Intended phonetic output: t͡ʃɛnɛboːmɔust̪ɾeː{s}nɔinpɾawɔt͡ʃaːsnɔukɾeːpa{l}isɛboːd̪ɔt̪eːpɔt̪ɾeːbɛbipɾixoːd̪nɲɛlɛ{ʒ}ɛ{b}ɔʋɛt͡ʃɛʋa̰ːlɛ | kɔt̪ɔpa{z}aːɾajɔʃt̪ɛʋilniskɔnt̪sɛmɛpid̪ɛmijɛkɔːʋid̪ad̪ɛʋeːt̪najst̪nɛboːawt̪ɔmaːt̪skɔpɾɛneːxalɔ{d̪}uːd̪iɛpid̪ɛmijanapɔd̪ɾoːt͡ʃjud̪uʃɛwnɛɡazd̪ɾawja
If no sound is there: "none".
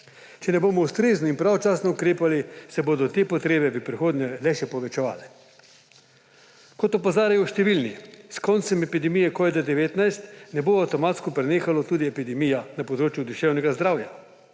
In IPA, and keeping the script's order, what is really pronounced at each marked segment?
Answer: z, l, ʃ, p, z, t̪

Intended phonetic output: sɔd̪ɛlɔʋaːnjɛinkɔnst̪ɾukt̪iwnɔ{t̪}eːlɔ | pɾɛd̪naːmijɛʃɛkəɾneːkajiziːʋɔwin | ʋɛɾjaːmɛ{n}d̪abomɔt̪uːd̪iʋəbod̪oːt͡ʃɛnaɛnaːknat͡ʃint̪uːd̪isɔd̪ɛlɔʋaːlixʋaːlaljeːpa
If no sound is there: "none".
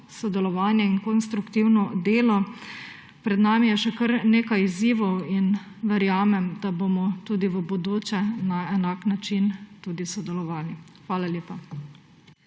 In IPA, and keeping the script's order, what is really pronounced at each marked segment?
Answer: d̪, m

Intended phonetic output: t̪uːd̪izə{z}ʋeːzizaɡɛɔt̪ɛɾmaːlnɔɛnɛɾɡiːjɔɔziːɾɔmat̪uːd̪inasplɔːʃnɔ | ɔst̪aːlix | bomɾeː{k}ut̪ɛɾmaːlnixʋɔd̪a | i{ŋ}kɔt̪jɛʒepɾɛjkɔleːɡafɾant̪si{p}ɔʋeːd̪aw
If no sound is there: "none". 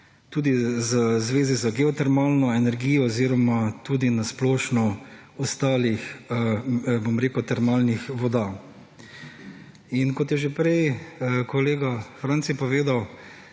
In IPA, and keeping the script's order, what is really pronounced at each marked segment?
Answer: z, k, n, p

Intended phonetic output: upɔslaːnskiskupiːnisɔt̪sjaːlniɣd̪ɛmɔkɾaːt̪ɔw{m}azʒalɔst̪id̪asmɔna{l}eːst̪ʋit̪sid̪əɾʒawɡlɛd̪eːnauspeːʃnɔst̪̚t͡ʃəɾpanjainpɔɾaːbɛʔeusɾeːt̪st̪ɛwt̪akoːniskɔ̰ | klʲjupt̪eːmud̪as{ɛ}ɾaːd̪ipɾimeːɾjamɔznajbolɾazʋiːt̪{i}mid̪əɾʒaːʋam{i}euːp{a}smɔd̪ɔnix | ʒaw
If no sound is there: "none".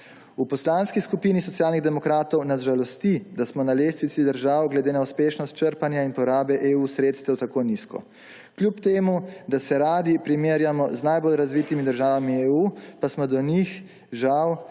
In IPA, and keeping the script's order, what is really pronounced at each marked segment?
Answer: n, l, ɛ, i, i, a

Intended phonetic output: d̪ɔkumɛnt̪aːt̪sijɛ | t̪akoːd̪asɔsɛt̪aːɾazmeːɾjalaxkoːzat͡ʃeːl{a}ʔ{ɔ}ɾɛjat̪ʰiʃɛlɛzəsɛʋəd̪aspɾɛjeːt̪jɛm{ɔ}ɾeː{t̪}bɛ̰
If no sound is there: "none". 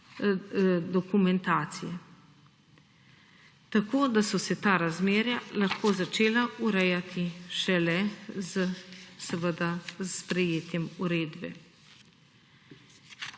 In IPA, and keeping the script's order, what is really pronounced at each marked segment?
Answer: a, u, u, d̪

